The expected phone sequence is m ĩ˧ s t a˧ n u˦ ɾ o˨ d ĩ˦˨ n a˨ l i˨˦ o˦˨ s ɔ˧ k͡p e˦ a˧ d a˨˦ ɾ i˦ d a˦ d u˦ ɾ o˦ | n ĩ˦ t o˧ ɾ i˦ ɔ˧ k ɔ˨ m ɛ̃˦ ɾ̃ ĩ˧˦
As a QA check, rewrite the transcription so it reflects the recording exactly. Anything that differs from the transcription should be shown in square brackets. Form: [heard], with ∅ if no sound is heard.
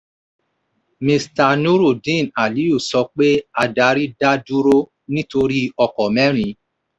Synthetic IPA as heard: m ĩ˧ s t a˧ n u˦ ɾ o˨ d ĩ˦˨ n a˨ l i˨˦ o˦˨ s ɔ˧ k͡p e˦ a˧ d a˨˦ ɾ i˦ d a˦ d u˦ ɾ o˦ | n ĩ˦ t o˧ ɾ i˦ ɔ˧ k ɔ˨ m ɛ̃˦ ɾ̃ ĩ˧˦